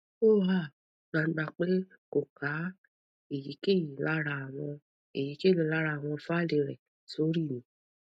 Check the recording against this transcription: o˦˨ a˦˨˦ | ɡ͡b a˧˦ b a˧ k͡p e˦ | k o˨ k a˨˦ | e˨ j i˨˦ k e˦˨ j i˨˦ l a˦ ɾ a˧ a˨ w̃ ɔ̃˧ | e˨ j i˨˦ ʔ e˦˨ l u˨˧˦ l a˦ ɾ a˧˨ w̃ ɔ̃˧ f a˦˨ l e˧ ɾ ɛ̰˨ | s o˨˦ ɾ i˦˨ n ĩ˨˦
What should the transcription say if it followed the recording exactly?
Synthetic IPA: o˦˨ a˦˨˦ | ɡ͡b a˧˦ ɡ͡b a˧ k͡p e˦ | k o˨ k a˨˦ | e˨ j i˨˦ k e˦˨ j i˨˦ l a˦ ɾ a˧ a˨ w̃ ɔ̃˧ | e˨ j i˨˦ k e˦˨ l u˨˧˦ l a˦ ɾ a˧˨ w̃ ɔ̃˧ f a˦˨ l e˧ ɾ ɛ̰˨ | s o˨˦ ɾ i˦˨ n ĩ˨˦